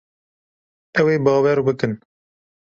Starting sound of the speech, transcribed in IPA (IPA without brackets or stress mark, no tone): ɛ